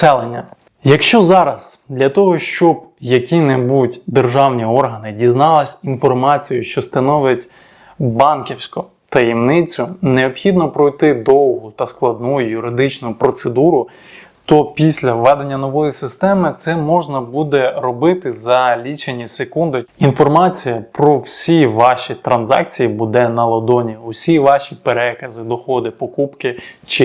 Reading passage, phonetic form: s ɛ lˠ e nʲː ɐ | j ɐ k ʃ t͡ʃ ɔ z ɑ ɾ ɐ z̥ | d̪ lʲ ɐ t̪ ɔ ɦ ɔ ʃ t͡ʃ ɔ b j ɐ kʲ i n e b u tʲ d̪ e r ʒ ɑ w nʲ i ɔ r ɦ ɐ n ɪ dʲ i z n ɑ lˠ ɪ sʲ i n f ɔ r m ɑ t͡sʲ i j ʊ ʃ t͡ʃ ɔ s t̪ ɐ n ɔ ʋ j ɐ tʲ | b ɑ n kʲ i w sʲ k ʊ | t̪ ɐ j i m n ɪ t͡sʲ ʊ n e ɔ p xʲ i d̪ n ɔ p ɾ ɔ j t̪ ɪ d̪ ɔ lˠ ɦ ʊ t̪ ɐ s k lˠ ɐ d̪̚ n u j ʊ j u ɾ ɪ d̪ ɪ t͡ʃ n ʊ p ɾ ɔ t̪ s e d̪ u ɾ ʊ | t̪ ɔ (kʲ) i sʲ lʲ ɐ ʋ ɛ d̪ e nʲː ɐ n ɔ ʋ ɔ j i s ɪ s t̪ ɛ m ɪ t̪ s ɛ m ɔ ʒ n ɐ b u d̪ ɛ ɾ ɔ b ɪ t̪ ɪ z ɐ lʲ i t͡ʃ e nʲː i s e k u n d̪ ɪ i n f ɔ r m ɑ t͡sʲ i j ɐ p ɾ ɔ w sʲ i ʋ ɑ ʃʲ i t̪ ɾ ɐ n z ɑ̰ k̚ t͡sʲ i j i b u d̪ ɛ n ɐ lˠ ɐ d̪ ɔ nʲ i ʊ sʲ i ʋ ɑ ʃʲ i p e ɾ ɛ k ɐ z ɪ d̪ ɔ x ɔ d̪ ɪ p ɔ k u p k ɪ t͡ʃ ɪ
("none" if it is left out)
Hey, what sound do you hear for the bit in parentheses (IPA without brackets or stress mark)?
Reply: pʲ